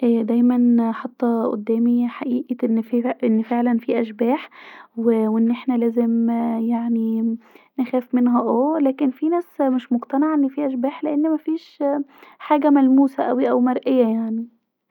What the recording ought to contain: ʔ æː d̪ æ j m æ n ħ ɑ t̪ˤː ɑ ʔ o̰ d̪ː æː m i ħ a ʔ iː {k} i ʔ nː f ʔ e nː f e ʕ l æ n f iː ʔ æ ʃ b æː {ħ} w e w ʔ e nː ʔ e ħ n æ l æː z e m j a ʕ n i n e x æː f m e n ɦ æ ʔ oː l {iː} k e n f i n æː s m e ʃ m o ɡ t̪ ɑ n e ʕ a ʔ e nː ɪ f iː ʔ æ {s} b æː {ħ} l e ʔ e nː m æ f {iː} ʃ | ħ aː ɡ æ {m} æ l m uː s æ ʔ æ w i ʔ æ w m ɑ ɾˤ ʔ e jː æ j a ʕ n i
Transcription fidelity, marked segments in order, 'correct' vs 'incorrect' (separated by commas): incorrect, correct, incorrect, incorrect, correct, correct, correct